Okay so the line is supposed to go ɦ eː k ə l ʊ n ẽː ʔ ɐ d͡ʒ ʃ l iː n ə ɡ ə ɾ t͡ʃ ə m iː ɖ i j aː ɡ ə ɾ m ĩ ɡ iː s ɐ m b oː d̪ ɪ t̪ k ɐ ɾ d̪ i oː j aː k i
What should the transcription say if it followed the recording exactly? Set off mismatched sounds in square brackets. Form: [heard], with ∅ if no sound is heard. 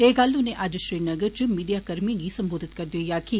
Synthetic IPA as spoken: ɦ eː [ɡ] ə l ʊ n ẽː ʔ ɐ d͡ʒ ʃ [ɾ] iː n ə ɡ ə ɾ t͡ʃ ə m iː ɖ i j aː [k] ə ɾ m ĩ ɡ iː s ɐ m b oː d̪ ɪ t̪ k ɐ ɾ d̪ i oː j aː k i